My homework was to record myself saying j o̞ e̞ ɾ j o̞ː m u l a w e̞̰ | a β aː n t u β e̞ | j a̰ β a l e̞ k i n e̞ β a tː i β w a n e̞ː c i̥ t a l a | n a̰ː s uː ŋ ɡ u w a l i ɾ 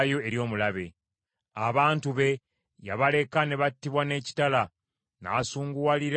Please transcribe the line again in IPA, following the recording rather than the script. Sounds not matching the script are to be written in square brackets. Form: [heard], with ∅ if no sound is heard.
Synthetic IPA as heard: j o̞ e̞ ɾ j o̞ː m u l a [β] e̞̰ | a β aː n t u β e̞ | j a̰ β a l e̞ k [a] n e̞ β a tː i β w a n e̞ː c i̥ t a l a | n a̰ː s uː ŋ ɡ u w a l i ɾ